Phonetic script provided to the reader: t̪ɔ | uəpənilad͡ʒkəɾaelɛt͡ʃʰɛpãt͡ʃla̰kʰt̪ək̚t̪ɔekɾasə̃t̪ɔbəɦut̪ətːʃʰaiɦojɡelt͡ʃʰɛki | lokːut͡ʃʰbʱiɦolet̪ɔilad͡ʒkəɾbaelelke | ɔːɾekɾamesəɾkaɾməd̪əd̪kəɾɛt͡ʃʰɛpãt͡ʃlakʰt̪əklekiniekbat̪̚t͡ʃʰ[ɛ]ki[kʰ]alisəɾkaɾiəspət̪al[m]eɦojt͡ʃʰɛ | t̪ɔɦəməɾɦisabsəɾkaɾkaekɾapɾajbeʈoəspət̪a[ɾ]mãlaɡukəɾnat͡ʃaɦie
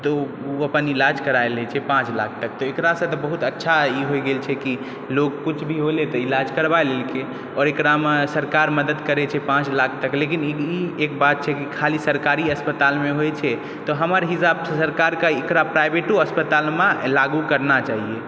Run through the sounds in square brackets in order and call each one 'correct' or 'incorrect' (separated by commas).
correct, correct, correct, incorrect